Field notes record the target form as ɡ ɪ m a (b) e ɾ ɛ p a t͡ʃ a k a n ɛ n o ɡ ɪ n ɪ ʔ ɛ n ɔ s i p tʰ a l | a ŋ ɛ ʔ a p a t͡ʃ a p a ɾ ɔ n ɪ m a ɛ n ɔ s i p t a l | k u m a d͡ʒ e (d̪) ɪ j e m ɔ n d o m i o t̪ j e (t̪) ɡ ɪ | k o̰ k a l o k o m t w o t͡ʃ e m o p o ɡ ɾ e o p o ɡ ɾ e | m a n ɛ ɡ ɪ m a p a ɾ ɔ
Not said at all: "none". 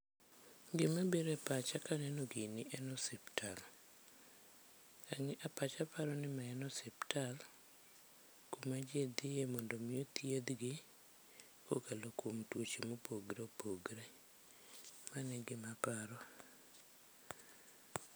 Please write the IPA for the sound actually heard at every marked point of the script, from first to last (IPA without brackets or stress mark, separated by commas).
b, d̪, d̪